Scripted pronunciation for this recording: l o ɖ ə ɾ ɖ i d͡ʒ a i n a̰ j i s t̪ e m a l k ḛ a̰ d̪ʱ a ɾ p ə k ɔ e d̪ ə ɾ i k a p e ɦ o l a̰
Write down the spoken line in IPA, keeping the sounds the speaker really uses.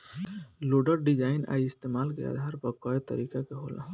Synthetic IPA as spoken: l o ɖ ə ɾ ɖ i d͡ʒ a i n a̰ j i s t̪ e m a l k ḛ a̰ d̪ʱ a ɾ p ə k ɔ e t̪ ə ɾ i k a k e ɦ o l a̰